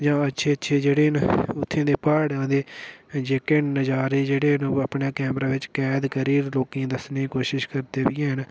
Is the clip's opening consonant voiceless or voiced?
voiced